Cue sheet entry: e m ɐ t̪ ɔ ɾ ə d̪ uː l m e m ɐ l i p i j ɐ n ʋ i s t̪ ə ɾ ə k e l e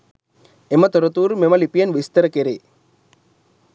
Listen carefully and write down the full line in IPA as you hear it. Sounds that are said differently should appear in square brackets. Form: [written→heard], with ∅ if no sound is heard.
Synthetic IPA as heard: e m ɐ t̪ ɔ ɾ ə [d̪→t̪] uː [l→ɾ] m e m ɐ l i p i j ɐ n ʋ i s t̪ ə ɾ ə k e [l→ɾ] e